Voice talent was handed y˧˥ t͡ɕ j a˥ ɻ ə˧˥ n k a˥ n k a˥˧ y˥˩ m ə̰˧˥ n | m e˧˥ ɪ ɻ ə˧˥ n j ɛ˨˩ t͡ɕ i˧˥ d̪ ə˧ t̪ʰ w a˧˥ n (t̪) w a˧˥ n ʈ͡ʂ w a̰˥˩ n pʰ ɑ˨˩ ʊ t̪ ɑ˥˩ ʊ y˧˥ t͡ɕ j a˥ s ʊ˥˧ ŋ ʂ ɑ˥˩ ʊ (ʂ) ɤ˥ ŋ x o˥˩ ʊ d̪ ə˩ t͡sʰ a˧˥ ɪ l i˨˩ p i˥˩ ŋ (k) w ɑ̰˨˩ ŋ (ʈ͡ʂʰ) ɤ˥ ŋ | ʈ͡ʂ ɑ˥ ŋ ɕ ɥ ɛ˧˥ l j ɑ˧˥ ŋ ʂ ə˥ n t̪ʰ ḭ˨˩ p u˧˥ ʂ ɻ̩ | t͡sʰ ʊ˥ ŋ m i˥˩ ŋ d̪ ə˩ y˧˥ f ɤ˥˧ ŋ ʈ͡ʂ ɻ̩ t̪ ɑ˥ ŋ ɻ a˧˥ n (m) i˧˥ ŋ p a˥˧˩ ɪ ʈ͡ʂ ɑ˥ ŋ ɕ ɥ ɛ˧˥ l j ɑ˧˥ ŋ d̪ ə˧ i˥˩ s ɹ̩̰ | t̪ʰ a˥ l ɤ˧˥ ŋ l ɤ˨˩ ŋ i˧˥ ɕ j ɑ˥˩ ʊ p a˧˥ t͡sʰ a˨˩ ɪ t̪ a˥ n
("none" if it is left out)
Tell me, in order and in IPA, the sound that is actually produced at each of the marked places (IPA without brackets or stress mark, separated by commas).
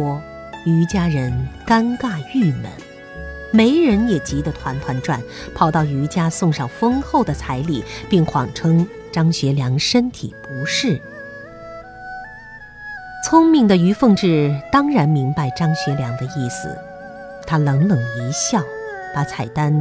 t̪ʰ, f, x, ʈ͡ʂʰ, m